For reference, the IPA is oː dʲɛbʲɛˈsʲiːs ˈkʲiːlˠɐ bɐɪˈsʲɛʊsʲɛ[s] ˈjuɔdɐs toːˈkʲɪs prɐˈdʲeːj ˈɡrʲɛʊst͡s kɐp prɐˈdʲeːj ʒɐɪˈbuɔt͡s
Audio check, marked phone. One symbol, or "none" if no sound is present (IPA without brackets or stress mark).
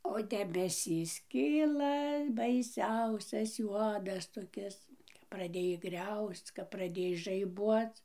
s